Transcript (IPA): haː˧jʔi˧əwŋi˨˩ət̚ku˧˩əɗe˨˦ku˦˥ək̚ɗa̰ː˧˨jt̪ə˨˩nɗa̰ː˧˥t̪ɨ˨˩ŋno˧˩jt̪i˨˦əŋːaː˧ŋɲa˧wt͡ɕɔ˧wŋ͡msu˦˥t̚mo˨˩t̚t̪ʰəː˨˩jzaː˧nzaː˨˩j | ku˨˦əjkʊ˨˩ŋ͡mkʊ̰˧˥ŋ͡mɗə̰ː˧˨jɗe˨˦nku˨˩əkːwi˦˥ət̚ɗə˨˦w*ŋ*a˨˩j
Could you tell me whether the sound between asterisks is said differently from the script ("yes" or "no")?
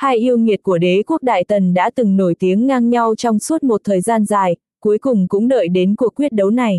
yes